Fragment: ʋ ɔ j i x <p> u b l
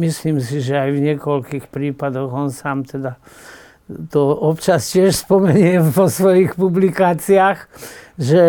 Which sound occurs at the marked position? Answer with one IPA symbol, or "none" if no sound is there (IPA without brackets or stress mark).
p